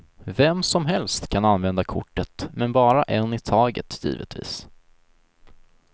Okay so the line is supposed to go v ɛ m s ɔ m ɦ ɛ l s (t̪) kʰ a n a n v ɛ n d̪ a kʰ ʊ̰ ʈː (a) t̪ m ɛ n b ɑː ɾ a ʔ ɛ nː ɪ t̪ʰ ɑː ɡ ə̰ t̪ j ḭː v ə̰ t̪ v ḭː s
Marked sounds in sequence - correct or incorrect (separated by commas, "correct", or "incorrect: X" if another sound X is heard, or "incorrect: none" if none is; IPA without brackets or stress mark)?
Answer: correct, incorrect: ə